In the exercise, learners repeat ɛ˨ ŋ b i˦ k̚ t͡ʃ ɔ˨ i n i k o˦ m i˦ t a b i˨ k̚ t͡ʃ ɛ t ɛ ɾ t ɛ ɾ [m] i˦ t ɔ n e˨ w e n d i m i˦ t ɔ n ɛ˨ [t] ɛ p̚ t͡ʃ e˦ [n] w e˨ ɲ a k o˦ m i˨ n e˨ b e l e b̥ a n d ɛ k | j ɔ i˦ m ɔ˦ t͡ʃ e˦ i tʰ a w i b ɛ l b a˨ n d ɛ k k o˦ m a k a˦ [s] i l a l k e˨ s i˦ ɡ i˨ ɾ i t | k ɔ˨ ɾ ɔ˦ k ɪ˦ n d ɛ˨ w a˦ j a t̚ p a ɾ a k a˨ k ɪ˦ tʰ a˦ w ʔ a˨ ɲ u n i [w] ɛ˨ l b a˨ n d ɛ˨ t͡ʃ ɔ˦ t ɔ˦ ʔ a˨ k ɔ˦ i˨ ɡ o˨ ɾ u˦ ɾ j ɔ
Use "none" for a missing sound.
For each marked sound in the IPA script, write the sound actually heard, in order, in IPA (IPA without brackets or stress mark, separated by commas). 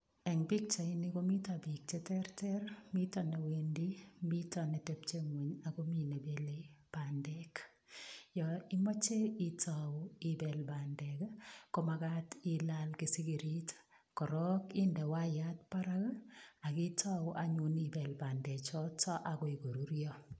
m, t, ŋ, t, b